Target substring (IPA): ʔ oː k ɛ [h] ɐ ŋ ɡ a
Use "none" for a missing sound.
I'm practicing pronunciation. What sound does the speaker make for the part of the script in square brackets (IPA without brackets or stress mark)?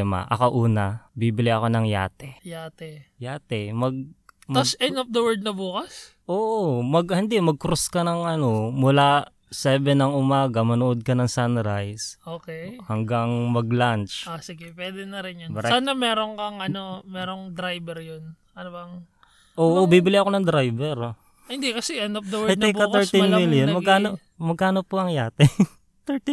h